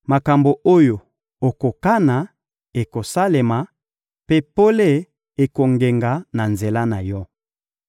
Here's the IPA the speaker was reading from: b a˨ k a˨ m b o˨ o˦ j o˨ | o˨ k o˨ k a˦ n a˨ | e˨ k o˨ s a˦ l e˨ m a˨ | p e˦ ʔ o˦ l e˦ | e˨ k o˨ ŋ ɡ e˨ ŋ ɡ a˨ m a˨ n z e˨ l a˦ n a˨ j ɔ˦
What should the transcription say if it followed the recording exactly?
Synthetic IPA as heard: m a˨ k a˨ m b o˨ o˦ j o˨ | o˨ k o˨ k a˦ n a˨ | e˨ k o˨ s a˦ l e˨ m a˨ | p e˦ p o˦ l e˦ | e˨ k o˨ ŋ ɡ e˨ ŋ ɡ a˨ n a˨ n z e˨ l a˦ n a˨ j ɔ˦

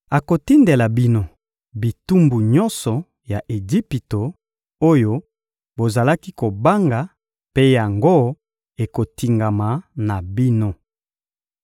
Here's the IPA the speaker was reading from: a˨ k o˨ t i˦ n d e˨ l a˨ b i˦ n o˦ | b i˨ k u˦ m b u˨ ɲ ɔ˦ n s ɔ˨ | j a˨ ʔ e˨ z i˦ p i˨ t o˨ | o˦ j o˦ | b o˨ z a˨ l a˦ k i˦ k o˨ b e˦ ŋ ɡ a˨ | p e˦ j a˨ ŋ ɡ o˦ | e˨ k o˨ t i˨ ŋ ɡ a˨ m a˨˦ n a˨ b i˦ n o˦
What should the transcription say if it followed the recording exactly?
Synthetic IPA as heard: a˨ k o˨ t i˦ n d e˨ l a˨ b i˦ n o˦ | b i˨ t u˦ m b u˨ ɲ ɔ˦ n s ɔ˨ | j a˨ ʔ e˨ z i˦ p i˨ t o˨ | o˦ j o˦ | b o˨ z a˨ l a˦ k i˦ k o˨ b a˦ ŋ ɡ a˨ | p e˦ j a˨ ŋ ɡ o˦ | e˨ k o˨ t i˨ ŋ ɡ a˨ m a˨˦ n a˨ b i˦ n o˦

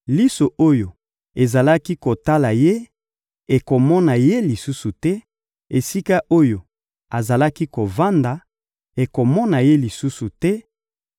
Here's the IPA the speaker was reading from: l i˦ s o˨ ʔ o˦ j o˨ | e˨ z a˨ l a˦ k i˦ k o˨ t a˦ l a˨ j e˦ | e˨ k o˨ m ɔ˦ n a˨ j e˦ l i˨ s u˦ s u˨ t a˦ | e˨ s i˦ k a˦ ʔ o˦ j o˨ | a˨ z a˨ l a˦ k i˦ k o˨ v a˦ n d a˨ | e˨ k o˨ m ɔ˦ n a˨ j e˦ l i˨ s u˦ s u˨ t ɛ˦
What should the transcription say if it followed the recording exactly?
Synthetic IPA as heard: l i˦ s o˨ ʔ o˦ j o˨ | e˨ z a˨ l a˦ k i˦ k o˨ t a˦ l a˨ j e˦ | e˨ k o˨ m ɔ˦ n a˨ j e˦ l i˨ s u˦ s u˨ t ɛ˦ | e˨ s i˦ k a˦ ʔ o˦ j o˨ | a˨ z a˨ l a˦ k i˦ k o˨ v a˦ n d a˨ | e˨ k o˨ m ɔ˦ n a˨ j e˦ l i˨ s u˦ s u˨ t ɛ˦

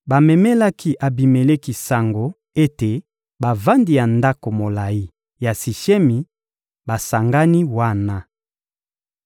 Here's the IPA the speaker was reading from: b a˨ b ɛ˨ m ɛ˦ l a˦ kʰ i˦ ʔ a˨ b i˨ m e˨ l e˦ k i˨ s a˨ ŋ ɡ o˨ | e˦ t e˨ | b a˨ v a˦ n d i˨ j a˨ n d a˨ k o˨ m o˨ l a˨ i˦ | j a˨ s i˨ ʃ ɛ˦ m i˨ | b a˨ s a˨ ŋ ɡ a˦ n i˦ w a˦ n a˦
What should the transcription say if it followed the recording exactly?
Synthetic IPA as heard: b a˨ m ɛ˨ m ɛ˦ l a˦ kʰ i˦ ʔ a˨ b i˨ m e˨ l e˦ k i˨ s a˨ ŋ ɡ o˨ | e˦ t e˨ | b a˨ v a˦ n d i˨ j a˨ n d a˦ k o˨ m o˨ l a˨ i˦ | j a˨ s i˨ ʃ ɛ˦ m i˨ | b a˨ s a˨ ŋ ɡ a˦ n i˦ w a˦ n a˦

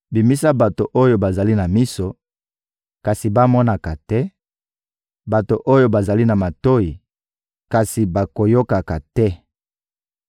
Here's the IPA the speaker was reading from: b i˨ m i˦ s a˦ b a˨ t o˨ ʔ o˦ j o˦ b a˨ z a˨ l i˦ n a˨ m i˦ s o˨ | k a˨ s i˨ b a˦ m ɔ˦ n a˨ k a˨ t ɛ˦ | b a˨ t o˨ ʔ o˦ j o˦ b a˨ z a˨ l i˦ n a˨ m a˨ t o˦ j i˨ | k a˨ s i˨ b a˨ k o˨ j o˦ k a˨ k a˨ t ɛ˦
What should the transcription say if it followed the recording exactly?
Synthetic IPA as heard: b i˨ m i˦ s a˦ b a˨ t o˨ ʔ o˦ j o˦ b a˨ z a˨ l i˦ n a˨ m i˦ s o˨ | k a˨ s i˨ b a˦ m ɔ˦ n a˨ k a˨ t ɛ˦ | b a˨ t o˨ ʔ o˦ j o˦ b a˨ z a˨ l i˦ n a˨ m a˨ t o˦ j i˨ | k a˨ s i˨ b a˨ k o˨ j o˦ k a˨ k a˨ t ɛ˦

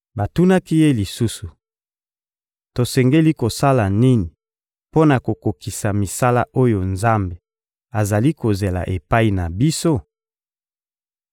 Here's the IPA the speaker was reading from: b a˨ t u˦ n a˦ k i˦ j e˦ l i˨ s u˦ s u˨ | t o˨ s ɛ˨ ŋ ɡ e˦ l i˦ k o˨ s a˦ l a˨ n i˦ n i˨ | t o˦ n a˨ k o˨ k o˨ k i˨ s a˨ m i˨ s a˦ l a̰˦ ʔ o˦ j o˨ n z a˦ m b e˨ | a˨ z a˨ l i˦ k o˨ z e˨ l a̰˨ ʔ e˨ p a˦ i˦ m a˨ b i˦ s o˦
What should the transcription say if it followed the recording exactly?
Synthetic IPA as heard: b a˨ t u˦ n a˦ k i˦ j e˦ l i˨ s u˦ s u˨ | t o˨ s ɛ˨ ŋ ɡ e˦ l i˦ k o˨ s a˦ l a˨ n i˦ n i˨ | p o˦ n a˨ k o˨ k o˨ k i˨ s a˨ m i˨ s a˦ l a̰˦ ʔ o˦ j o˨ n z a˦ m b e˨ | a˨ z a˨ l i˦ k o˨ z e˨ l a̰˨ ʔ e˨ p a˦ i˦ n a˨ b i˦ s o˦

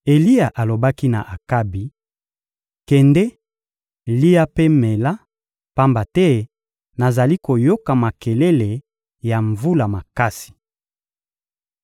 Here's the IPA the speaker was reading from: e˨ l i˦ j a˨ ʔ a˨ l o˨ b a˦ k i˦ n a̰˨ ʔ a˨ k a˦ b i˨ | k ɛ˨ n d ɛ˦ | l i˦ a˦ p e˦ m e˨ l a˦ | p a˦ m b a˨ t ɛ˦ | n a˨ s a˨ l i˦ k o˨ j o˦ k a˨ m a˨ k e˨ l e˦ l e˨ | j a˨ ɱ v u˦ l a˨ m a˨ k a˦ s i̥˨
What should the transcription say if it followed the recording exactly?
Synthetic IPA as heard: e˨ l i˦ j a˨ ʔ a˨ l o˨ b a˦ k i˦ n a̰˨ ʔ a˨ k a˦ b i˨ | k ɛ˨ n d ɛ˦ | l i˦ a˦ p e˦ m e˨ l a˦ | p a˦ m b a˨ t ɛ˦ | n a˨ z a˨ l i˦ k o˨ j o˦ k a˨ m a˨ k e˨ l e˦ l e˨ | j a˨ ɱ v u˦ l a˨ m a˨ k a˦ s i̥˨

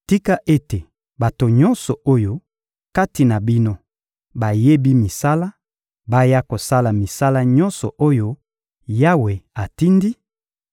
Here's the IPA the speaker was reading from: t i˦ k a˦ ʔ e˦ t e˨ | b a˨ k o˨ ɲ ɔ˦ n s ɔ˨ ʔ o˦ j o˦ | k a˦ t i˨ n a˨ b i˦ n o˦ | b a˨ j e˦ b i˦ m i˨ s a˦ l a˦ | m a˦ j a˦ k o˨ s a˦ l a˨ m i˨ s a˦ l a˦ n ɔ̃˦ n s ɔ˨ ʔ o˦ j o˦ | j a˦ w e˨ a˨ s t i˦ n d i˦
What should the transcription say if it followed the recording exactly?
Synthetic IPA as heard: t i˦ k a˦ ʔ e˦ t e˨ | b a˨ t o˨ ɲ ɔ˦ n s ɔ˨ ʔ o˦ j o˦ | k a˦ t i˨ n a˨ b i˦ n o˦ | b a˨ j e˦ b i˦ m i˨ s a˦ l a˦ | b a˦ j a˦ k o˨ s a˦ l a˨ m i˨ s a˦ l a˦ ɲ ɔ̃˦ n s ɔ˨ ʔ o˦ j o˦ | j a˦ w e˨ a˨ t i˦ n d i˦

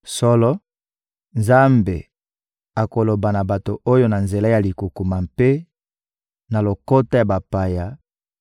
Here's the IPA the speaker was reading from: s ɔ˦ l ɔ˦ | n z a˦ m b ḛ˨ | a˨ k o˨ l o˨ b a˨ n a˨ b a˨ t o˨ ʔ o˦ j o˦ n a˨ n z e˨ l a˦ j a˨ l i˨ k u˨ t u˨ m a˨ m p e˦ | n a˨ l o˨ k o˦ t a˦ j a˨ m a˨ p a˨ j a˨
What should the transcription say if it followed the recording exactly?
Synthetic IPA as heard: s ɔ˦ l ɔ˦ | n z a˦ m b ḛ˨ | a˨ k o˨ l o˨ b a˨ n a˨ b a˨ t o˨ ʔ o˦ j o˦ n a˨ n z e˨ l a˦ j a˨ l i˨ k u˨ k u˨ m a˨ m p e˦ | n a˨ l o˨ k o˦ t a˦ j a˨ b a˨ p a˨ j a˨

